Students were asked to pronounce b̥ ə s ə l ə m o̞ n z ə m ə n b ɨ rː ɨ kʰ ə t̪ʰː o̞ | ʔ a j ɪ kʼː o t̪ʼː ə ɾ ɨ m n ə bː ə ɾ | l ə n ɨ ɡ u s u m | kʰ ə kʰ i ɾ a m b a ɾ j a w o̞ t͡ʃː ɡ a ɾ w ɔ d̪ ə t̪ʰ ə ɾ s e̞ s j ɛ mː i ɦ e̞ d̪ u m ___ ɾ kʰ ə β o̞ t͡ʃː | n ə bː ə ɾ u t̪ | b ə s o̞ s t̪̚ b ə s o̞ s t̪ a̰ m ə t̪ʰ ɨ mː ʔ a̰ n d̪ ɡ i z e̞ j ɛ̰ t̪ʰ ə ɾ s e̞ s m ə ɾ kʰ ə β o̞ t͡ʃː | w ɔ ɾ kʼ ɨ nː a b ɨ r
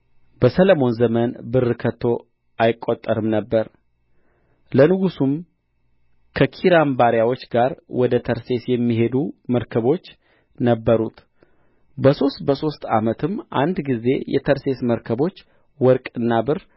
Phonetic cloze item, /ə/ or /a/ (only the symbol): ə